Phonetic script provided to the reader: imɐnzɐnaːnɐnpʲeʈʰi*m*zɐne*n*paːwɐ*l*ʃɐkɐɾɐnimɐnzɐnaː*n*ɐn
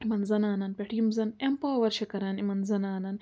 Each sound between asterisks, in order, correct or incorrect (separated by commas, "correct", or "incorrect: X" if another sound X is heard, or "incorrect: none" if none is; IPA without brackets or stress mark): correct, incorrect: m, incorrect: ɾ, correct